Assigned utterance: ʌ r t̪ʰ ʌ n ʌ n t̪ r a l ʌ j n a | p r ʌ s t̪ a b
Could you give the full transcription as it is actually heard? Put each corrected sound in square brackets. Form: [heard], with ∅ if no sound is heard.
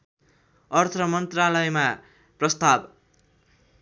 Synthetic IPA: ʌ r t̪ʰ ʌ [m] ʌ n t̪ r a l ʌ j [m] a | p r ʌ s t̪ a b